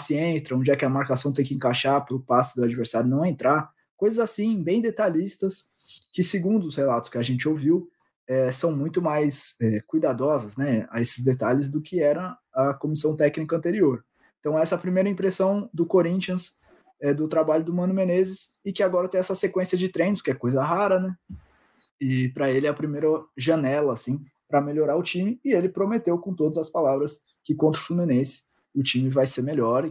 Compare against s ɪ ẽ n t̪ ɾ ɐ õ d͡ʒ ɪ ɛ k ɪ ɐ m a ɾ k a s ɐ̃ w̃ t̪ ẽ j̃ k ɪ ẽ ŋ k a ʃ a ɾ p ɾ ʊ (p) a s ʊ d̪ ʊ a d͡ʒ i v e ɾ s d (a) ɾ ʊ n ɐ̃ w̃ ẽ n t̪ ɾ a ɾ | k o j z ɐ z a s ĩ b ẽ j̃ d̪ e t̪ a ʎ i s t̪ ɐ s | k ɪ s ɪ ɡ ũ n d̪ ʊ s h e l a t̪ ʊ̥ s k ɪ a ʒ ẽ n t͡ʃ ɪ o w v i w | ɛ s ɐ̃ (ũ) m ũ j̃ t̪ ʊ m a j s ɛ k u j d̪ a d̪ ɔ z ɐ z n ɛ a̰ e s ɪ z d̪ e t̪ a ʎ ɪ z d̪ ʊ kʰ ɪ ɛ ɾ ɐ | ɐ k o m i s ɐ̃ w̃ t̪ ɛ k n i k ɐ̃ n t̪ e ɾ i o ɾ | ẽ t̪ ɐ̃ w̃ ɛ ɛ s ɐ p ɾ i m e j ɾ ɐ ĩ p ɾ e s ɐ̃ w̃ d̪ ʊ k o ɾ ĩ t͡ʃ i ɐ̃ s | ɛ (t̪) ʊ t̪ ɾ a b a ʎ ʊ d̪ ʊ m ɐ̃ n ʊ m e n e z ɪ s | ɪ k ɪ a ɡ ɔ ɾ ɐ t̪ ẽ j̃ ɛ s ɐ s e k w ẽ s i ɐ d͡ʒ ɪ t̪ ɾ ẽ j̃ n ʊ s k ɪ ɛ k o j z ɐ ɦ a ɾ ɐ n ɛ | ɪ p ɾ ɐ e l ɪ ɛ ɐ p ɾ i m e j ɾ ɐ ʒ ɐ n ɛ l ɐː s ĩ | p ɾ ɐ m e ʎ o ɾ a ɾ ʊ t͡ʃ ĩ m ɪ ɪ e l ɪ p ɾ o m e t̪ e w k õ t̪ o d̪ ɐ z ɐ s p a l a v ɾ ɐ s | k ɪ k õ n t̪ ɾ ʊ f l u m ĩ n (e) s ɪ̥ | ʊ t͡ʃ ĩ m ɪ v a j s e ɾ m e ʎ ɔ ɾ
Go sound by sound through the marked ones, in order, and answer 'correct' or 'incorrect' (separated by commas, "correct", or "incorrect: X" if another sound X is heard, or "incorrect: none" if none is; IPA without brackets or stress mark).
correct, correct, incorrect: w̃, incorrect: d̪, incorrect: ẽ